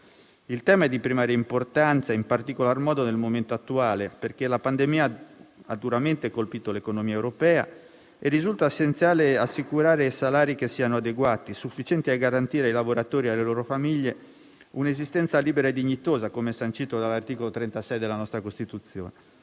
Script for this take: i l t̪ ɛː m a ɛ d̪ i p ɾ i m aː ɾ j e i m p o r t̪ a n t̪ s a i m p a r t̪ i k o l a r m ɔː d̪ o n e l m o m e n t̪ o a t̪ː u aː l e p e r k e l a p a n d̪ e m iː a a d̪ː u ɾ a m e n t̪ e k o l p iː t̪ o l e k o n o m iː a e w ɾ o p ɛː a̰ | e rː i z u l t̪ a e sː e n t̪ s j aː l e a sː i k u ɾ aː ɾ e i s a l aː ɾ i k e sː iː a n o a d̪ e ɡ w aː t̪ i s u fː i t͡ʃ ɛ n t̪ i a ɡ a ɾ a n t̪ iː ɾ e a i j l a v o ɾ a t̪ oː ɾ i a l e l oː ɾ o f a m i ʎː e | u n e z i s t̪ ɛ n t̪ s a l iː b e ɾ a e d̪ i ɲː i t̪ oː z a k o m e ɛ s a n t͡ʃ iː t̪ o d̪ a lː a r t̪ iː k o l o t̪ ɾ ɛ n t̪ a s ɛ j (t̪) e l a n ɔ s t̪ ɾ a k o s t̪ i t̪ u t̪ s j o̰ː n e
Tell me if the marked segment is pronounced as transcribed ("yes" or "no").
no